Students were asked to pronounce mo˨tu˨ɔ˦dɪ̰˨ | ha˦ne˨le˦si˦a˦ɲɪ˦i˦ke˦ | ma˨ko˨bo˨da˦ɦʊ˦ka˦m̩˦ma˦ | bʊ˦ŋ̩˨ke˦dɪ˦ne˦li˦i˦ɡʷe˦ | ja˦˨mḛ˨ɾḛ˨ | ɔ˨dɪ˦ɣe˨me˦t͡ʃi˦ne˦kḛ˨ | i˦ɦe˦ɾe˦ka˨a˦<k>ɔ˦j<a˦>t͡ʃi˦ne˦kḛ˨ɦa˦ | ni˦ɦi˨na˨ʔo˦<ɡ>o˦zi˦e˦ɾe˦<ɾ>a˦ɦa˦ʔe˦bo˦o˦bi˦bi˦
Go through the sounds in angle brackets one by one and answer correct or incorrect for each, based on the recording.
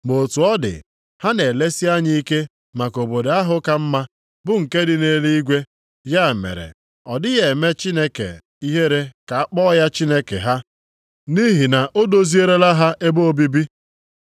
incorrect: k͡p, correct, incorrect: d, incorrect: l

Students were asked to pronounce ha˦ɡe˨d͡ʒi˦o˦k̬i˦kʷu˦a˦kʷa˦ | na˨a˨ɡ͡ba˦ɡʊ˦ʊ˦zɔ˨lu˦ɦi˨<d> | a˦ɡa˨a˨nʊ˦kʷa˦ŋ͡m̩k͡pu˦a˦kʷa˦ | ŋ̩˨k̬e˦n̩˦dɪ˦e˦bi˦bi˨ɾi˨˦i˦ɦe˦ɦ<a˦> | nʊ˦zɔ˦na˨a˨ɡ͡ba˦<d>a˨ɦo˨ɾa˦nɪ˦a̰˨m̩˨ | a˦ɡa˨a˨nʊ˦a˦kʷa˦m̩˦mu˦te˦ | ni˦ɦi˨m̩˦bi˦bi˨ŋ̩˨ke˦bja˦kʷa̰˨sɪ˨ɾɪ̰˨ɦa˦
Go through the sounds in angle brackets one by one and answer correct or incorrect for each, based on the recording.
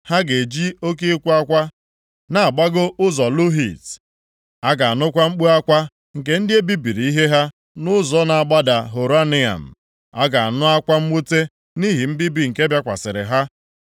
incorrect: t, correct, correct

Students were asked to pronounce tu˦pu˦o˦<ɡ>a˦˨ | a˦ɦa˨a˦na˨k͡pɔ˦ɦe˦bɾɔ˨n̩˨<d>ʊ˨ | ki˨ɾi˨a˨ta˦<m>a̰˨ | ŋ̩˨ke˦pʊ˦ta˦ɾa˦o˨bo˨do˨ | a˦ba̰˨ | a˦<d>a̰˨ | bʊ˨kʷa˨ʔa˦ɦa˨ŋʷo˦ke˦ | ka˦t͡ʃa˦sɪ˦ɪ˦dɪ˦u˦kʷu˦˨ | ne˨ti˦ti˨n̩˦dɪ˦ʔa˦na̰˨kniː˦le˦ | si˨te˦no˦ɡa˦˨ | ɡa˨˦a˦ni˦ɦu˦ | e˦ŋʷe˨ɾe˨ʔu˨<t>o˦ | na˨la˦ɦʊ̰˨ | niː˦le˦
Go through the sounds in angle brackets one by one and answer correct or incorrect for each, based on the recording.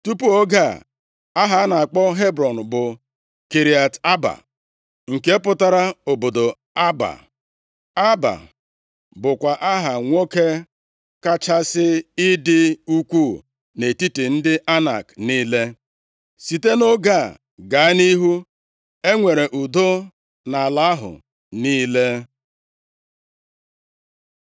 correct, incorrect: b, incorrect: b, incorrect: b, incorrect: d

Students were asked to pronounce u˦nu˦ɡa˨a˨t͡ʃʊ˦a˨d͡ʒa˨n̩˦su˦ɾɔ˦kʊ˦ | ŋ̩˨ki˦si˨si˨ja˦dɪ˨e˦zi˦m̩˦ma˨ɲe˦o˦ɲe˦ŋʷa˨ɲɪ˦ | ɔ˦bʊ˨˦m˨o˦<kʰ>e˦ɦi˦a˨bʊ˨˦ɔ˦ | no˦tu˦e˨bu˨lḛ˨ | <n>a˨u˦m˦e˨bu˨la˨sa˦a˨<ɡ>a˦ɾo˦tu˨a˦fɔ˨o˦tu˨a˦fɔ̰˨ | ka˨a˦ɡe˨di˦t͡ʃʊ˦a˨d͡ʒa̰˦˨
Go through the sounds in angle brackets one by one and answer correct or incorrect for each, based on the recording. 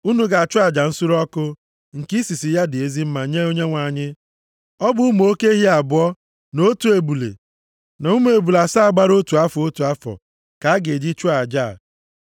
incorrect: k, correct, incorrect: ɡ͡b

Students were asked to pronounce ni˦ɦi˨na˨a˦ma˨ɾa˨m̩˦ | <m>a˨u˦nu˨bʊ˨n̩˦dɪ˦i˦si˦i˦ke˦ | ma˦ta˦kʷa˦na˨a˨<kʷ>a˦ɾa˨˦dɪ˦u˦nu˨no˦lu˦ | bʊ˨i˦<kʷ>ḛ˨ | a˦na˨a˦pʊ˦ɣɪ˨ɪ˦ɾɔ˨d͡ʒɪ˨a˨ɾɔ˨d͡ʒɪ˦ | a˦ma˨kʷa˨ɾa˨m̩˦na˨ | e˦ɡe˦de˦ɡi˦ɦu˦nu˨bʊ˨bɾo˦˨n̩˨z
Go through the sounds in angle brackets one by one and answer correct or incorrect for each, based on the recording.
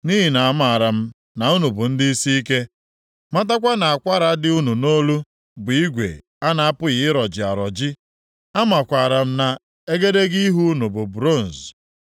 incorrect: n, correct, incorrect: ɡʷ

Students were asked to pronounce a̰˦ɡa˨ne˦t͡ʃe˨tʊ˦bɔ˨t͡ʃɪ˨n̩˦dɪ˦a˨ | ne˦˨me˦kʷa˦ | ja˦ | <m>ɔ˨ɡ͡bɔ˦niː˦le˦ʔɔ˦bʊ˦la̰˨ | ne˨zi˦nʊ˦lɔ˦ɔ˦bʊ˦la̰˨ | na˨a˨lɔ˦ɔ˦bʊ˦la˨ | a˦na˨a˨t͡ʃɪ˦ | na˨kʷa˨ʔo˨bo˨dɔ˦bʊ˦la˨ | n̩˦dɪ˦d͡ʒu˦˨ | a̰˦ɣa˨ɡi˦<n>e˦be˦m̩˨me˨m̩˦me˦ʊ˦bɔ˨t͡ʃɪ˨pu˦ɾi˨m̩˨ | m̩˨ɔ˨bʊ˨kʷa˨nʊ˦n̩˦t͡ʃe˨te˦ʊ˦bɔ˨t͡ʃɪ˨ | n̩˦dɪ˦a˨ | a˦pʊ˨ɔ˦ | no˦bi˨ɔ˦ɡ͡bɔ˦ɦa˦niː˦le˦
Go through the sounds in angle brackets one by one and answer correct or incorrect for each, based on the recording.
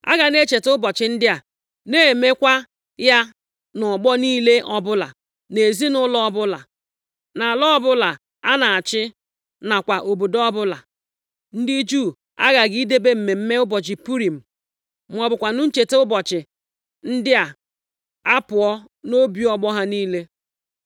incorrect: n, incorrect: d

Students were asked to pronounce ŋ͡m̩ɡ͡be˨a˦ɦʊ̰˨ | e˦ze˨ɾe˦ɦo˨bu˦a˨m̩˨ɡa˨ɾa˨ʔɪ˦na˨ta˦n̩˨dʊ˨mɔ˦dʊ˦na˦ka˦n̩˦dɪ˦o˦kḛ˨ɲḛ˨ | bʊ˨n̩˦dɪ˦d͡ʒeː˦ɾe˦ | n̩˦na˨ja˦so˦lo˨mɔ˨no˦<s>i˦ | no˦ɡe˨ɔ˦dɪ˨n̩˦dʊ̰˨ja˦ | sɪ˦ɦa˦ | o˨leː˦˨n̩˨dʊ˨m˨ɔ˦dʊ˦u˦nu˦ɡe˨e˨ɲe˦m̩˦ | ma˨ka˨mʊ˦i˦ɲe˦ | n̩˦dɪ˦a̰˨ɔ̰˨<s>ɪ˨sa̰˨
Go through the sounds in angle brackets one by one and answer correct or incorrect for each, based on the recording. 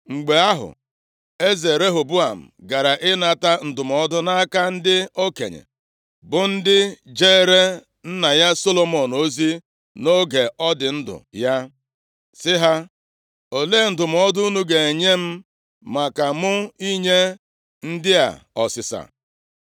incorrect: z, correct

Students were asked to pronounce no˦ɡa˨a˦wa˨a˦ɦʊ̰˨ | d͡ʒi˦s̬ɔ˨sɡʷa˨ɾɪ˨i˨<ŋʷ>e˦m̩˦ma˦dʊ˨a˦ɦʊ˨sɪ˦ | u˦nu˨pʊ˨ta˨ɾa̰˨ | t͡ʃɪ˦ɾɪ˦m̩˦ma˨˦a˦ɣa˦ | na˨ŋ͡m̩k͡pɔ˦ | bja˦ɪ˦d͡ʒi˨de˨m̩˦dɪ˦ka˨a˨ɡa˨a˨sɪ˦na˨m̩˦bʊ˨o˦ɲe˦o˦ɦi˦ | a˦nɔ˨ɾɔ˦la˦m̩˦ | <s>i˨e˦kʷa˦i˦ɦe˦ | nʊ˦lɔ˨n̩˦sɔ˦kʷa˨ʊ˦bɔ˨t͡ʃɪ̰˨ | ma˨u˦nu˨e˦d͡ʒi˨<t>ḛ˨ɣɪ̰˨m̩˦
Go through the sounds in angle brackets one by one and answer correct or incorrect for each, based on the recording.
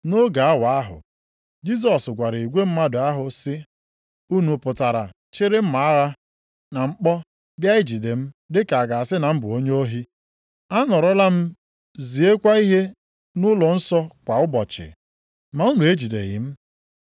incorrect: ɡʷ, incorrect: z, incorrect: d

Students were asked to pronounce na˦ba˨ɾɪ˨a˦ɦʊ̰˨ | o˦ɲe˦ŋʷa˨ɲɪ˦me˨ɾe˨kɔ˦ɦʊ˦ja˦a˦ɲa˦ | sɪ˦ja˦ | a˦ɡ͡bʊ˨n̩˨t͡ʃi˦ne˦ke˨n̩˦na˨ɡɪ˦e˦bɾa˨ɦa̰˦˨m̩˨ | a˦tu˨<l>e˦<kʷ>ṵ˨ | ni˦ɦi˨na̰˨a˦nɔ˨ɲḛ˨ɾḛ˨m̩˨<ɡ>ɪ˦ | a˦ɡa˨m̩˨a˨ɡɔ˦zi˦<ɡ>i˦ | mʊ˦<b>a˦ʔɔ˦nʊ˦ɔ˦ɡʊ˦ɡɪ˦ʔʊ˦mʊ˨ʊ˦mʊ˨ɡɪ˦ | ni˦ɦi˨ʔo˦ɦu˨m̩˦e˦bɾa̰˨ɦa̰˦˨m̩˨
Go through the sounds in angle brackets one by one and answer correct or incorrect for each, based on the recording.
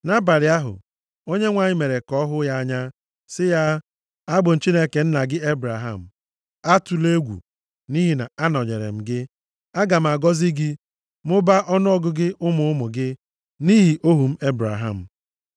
correct, incorrect: ɡʷ, correct, correct, correct

